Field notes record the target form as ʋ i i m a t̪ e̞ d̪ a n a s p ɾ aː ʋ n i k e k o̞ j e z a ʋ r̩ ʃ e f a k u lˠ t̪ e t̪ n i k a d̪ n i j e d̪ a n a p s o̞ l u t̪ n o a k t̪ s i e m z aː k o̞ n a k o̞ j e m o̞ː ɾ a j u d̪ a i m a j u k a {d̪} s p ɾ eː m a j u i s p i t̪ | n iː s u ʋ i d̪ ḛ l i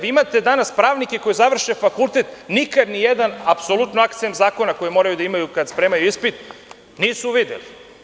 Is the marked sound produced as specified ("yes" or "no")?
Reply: yes